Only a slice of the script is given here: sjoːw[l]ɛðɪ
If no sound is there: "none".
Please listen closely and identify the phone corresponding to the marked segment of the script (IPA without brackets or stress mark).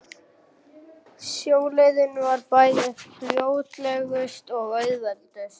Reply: l